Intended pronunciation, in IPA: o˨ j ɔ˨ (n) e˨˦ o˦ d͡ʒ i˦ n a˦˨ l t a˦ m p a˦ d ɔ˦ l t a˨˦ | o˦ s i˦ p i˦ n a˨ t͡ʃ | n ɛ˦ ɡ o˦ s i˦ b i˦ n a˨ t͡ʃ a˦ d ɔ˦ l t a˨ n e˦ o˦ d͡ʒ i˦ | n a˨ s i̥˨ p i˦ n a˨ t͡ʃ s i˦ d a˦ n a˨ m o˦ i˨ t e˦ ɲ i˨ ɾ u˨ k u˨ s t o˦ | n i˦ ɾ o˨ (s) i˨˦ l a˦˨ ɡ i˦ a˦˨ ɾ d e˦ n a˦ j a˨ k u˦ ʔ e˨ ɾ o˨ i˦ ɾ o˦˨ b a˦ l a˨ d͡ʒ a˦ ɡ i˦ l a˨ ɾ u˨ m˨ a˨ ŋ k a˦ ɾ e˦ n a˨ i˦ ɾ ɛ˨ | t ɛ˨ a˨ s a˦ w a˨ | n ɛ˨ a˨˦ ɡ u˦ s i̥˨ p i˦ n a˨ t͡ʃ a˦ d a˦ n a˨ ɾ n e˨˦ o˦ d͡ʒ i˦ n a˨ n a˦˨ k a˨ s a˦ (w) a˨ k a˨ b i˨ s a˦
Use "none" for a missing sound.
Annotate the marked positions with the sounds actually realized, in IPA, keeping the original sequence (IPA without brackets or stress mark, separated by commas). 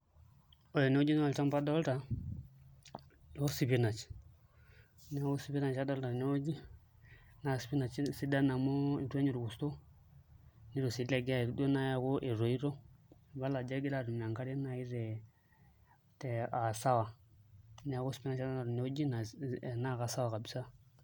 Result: n, s, w